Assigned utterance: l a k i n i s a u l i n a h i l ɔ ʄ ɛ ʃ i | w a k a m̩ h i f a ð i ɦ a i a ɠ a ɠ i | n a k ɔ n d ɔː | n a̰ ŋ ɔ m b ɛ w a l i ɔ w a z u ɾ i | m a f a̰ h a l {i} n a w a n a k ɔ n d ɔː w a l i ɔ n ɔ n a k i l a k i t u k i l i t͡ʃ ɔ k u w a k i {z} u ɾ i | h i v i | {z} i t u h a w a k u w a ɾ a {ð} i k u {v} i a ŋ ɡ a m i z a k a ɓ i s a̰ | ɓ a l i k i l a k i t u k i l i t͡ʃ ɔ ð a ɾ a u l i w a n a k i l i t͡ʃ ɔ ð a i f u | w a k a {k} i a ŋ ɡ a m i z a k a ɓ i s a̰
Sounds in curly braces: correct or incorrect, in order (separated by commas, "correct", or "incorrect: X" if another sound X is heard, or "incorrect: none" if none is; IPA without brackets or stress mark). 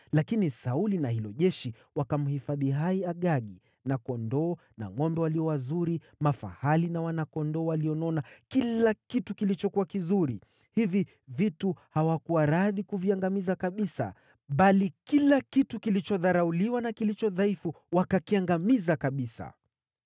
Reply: correct, correct, incorrect: v, correct, correct, correct